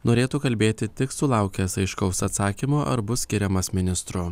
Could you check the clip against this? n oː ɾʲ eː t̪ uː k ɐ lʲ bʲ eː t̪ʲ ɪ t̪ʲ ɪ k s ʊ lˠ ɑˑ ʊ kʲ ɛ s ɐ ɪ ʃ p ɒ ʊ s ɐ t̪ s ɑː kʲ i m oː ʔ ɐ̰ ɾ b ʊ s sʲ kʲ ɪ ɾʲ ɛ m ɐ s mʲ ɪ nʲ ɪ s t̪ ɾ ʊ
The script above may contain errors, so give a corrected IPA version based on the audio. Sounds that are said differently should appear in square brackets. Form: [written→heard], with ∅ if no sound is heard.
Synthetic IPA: n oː ɾʲ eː t̪ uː k ɐ lʲ bʲ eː t̪ʲ ɪ t̪ʲ ɪ k s ʊ lˠ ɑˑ ʊ kʲ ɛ s ɐ ɪ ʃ [p→k] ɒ ʊ s ɐ t̪ s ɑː kʲ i m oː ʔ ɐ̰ ɾ b ʊ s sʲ kʲ ɪ ɾʲ ɛ m ɐ s mʲ ɪ nʲ ɪ s t̪ ɾ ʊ